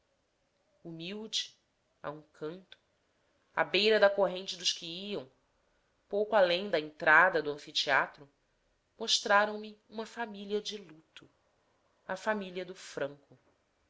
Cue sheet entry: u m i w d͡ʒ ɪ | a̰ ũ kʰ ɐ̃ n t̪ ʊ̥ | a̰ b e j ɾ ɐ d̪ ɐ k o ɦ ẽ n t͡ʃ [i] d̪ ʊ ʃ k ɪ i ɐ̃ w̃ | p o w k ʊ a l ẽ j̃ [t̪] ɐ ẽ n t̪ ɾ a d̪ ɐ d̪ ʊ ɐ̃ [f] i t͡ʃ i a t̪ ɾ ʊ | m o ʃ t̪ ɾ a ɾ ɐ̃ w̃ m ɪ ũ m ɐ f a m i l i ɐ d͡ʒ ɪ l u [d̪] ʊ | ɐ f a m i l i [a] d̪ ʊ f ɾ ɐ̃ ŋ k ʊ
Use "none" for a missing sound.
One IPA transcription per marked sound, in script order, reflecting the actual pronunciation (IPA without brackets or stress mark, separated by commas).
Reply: ɪ, d̪, f, t̪, ɐ